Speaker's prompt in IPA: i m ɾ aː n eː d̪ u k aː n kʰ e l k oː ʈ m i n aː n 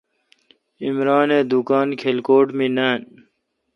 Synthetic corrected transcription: i m ɾ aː n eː d̪ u k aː n kʰ e l k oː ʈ m i n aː n